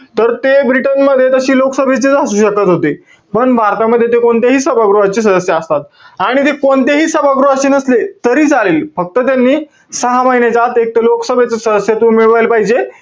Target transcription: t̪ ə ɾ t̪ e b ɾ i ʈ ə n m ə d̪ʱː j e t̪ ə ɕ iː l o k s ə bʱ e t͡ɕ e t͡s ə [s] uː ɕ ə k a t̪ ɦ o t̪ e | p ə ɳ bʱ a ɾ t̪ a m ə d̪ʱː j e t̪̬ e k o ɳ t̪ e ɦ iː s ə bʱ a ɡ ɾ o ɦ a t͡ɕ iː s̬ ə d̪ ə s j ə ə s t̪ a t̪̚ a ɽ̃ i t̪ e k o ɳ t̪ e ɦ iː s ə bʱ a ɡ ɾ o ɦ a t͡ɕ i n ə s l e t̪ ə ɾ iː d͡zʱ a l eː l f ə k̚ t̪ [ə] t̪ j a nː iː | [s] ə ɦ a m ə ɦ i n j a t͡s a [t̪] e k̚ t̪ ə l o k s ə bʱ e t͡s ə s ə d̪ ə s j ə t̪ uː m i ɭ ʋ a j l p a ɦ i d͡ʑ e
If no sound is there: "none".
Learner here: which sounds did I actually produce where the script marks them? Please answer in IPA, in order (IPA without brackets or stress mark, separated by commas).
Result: s, ə, s, t̪